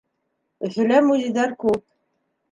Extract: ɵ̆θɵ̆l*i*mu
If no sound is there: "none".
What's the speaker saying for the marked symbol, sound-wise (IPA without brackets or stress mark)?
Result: æ